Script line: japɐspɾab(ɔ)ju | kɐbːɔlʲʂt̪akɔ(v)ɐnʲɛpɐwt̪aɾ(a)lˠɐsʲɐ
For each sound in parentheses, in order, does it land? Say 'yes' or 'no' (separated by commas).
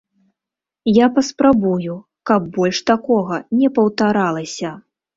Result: no, no, yes